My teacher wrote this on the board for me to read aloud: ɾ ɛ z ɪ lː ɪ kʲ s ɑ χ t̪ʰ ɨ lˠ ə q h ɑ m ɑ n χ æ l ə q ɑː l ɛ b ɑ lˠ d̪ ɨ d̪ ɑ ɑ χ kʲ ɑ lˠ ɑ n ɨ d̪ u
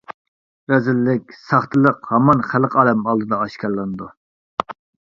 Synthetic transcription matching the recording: ɾ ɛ z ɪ lː ɪ kʲ s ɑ χ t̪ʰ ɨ lˠ ə q h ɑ m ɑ n χ æ l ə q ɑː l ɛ m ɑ lˠ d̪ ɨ d̪ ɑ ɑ ʃ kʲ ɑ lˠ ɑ n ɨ d̪ u